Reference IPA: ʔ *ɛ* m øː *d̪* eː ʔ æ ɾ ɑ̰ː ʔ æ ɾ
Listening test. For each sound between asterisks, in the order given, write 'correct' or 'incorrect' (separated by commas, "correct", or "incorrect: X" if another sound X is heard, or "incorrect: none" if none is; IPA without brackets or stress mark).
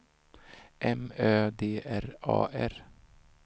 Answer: correct, correct